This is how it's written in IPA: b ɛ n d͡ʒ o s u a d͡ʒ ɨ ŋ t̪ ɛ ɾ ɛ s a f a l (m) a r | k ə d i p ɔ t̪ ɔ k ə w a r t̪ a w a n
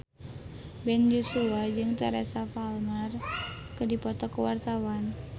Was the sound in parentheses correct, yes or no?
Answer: yes